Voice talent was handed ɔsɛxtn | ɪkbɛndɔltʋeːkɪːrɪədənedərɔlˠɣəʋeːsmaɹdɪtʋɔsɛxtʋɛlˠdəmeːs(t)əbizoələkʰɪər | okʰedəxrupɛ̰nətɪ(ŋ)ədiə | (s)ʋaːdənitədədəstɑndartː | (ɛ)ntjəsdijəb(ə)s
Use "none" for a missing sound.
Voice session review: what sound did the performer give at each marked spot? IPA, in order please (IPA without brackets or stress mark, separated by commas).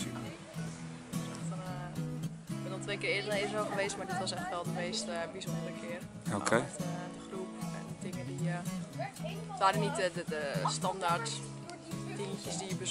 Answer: t, ŋ, t, i, ə